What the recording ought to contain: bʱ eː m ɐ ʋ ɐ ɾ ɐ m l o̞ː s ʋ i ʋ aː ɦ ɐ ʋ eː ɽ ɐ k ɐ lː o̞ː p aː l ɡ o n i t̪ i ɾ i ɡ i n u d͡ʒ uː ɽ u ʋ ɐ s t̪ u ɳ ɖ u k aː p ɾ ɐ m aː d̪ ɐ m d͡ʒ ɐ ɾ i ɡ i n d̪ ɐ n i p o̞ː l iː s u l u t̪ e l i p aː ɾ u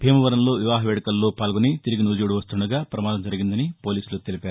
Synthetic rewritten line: bʱ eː m ɐ ʋ ɐ ɾ ɐ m l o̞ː ʋ i ʋ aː ɦ ɐ ʋ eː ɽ ɐ k ɐ lː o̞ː p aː l ɡ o n i t̪ i ɾ i ɡ i n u d͡ʒ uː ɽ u ʋ ɐ s t̪ u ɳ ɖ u ɡ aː p ɾ ɐ m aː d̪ ɐ m d͡ʒ ɐ ɾ i ɡ i n d̪ ɐ n i p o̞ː l iː s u l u t̪ e l i p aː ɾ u